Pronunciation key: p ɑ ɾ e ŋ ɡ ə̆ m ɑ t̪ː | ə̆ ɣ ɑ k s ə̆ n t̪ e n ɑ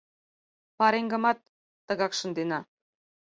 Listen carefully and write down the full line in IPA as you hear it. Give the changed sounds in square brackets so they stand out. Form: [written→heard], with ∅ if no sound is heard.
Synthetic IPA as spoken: p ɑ ɾ e ŋ ɡ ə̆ m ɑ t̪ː | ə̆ ɣ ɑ k [s→ʃ] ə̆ n [t̪→d̪] e n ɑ